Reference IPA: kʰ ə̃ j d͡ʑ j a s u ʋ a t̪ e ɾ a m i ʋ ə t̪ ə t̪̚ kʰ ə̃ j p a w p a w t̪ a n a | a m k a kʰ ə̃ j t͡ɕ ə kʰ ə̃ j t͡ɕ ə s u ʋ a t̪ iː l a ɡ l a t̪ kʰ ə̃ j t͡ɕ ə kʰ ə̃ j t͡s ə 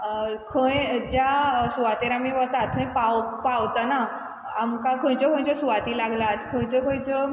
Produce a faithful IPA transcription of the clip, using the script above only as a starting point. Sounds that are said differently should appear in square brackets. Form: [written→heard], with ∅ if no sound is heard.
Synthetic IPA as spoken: kʰ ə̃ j d͡ʑ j a s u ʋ a t̪ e ɾ a m i ʋ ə t̪ [ə→a] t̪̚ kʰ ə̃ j p a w p a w t̪ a n a | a m k a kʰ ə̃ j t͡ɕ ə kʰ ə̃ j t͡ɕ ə s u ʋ a t̪ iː l a ɡ l a t̪ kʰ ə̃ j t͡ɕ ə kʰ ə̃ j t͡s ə